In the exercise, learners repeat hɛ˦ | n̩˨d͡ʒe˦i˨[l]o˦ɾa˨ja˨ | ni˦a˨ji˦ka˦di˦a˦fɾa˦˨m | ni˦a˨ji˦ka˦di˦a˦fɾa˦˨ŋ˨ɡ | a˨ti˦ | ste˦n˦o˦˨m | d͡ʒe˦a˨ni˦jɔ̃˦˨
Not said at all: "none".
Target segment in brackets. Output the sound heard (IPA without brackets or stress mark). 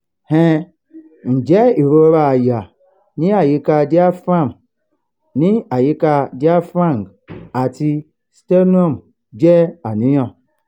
ɾ